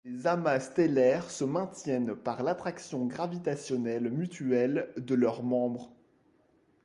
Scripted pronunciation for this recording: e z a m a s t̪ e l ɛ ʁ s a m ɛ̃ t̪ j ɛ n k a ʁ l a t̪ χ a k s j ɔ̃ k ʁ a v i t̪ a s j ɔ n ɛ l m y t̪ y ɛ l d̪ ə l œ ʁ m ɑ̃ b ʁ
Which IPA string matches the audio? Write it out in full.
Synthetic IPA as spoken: e z a m a s t̪ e l ɛ ʁ s ə m ɛ̃ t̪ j ɛ n p a ʁ l a t̪ χ a k s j ɔ̃ ɡ ʁ a v i t̪ a s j ɔ n ɛ l m y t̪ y ɛ l d̪ ə l œ ʁ m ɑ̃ b ʁ